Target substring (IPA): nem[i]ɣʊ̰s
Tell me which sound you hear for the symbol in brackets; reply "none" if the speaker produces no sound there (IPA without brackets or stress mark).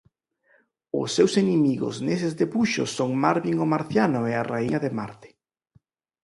i